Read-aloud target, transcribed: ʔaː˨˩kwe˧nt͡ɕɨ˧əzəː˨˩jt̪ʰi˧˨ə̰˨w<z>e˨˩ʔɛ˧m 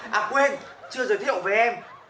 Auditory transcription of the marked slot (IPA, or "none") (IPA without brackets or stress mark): v